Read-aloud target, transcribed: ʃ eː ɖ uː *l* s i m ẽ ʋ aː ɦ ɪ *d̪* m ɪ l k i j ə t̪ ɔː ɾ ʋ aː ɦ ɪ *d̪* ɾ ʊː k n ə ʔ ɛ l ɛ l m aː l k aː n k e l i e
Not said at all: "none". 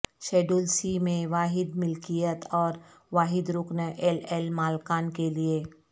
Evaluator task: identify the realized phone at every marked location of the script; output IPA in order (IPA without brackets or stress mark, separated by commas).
l, d̪, d̪